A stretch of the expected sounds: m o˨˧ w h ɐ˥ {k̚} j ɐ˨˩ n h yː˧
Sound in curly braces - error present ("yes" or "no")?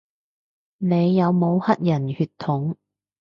yes